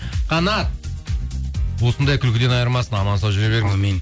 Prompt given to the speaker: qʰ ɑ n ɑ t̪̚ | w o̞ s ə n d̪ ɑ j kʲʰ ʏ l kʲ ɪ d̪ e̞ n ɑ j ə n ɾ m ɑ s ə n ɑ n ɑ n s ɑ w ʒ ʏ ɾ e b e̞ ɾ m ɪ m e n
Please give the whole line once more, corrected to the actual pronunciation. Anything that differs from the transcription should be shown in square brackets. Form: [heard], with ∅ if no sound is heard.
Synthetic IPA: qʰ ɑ n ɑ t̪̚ | w o̞ s ə n d̪ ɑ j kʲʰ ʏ l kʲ ɪ d̪ e̞ n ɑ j ə [∅] ɾ m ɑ s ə n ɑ [m] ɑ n s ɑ w ʒ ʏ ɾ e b e̞ ɾ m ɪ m e n